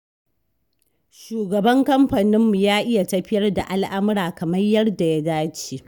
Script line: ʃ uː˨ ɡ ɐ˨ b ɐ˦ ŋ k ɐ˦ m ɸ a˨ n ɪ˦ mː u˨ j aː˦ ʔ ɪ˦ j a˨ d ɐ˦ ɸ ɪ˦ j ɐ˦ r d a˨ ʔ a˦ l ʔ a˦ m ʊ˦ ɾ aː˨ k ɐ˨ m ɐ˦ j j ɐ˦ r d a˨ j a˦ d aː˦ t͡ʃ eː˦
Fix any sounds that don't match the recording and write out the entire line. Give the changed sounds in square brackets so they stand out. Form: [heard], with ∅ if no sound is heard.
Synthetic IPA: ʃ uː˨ ɡ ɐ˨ b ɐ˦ ŋ k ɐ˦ m ɸ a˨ n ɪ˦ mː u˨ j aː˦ ʔ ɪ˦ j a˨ [t] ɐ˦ ɸ ɪ˦ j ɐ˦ r d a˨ ʔ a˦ l ʔ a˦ m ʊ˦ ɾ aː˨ k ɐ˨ m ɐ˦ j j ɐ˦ r d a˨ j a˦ d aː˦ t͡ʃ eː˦

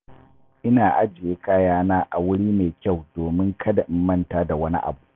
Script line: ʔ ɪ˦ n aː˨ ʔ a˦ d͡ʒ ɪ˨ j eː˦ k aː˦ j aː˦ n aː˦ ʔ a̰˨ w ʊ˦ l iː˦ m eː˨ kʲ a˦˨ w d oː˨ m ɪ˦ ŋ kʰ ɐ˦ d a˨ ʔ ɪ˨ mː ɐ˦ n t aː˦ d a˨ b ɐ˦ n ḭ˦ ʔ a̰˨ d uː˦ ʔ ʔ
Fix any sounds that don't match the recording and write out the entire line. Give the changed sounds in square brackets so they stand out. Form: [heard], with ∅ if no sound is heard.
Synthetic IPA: ʔ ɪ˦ n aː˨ ʔ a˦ d͡ʒ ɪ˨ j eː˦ k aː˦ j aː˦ n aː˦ ʔ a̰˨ w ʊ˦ [ɽ] iː˦ m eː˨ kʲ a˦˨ w d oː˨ m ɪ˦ ŋ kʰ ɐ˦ d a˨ ʔ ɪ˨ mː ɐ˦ n t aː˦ d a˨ [w] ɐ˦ n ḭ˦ ʔ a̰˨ [b] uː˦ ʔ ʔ

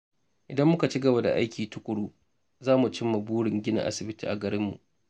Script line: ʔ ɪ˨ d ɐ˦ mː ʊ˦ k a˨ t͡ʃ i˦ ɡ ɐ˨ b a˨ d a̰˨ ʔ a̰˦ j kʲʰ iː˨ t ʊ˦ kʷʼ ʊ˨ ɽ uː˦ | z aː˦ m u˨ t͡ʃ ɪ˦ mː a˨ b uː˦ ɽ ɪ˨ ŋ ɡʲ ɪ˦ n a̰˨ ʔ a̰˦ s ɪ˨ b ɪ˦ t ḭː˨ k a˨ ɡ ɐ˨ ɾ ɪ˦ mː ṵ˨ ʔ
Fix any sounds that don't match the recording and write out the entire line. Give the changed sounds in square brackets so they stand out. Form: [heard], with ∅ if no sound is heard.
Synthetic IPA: ʔ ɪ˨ d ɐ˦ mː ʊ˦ k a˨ t͡ʃ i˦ ɡ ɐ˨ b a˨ d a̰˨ ʔ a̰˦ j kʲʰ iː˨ t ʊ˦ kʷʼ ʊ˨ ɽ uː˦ | z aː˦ m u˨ t͡ʃ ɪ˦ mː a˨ b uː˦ ɽ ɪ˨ ŋ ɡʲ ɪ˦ n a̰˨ ʔ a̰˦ s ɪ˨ b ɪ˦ t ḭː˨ [ʔ] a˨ ɡ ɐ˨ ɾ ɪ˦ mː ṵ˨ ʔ

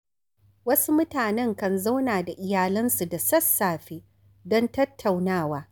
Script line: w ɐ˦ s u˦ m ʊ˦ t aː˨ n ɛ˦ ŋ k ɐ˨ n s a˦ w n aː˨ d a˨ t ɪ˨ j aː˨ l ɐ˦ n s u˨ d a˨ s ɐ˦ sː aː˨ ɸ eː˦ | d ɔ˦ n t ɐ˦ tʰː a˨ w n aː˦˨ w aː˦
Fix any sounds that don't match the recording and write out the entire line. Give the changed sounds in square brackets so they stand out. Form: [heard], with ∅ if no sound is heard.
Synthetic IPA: w ɐ˦ s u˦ m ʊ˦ t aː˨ n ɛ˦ ŋ k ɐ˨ n [z] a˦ w n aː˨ d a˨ [ʔ] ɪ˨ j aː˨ l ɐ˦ n s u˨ d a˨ s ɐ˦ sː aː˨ ɸ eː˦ | d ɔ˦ n t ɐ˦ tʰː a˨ w n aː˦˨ w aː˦

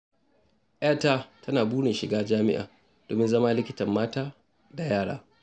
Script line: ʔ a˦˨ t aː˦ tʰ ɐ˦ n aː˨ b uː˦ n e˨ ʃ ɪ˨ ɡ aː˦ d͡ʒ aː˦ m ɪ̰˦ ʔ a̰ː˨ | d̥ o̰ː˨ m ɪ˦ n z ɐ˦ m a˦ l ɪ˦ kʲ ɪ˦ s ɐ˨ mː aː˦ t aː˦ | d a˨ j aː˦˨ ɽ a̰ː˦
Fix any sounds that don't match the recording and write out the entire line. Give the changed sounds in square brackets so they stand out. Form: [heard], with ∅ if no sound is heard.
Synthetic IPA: ʔ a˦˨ t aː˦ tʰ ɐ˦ n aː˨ b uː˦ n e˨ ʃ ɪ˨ ɡ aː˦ d͡ʒ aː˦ m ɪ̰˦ ʔ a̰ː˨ | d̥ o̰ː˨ m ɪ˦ n z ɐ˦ m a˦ l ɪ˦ kʲ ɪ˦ [t] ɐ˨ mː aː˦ t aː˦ | d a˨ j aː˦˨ ɽ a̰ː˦

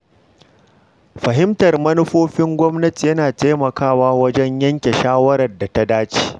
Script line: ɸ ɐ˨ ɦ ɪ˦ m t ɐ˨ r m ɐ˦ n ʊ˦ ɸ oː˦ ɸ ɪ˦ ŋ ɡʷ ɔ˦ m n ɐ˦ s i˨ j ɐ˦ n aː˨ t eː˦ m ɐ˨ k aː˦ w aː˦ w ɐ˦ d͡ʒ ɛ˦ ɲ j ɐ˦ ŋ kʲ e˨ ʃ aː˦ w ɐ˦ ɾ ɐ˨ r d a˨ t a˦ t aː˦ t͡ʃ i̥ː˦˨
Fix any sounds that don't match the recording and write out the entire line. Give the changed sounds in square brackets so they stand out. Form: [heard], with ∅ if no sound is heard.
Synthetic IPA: ɸ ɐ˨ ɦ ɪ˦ m t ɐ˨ r m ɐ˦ n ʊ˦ ɸ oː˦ ɸ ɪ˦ ŋ ɡʷ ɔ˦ m n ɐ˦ [t] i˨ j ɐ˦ n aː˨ t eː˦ m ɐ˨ k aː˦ w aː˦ w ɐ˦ d͡ʒ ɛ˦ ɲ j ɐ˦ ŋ kʲ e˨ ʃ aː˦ w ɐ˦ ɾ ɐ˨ r d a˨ t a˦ [d] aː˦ t͡ʃ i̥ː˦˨

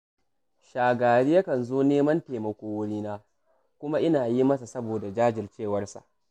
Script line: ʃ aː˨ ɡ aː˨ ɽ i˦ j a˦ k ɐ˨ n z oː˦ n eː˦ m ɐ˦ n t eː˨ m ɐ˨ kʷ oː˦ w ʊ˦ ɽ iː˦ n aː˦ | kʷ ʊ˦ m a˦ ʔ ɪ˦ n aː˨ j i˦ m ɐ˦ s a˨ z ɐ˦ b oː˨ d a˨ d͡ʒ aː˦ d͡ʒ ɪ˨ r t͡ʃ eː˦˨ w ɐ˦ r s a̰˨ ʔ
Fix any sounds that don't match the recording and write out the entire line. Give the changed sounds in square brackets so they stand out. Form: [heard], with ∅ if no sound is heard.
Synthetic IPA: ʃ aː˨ ɡ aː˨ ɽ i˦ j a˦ k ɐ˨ n z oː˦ n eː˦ m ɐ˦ n t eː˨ m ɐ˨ kʷ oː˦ w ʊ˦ ɽ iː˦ n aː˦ | kʷ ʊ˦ m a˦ ʔ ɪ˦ n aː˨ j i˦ m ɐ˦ s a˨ [s] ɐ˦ b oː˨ d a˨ d͡ʒ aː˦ d͡ʒ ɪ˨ r t͡ʃ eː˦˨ w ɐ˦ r s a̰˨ ʔ

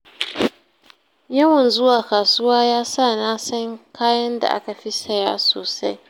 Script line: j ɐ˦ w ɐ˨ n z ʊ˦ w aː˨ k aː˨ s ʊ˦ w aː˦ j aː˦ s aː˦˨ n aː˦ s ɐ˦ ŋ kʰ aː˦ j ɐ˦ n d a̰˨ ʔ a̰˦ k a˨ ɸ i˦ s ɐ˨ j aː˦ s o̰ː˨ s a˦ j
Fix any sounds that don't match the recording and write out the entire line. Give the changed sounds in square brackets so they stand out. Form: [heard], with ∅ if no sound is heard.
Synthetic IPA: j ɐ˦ w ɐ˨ n z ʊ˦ w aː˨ k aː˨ s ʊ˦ w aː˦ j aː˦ s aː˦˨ n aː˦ s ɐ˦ ŋ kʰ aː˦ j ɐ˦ n d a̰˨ ʔ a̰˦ k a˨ ɸ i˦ s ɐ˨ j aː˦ s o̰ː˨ s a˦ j

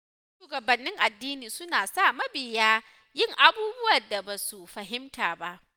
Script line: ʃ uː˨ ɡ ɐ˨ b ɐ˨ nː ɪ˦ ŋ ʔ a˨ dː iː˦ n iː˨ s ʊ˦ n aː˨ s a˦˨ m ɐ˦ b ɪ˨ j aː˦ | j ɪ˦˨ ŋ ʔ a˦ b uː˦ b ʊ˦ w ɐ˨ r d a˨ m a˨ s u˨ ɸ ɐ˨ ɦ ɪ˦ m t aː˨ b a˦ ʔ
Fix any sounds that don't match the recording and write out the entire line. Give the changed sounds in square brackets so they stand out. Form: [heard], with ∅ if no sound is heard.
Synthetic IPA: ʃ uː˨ ɡ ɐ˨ b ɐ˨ nː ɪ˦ ŋ ʔ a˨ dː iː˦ n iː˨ s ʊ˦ n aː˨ s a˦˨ m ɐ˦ b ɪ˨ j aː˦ | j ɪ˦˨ ŋ ʔ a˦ b uː˦ b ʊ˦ w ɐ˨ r d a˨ [b] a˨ s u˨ ɸ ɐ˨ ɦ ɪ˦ m t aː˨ b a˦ ʔ

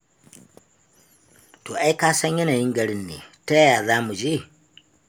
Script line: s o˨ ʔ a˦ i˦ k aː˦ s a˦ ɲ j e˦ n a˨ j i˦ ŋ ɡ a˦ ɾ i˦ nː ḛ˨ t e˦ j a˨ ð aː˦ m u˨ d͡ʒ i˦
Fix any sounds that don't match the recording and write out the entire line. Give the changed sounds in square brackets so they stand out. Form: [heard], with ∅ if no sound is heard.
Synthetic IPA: [t] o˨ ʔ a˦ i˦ k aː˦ s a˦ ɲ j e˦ n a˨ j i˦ ŋ ɡ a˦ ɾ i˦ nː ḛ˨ t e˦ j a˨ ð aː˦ m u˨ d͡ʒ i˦

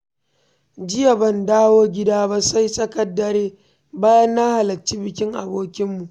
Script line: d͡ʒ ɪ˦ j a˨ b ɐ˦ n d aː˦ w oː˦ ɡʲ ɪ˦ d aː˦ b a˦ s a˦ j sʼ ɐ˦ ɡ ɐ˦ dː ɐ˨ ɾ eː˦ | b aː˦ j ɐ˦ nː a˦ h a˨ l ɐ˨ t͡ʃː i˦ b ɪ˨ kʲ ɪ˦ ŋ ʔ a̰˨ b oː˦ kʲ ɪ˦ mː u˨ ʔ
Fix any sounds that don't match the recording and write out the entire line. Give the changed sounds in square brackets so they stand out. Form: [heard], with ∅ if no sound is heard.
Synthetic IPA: d͡ʒ ɪ˦ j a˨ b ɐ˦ n d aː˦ w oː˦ ɡʲ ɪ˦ d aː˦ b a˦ s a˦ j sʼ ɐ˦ [k] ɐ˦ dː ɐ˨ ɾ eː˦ | b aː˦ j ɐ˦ nː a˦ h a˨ l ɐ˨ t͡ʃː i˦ b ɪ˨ kʲ ɪ˦ ŋ ʔ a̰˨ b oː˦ kʲ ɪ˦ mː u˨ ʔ

